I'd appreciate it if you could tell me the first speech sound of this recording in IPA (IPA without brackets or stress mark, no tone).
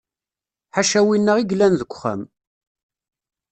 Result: ħ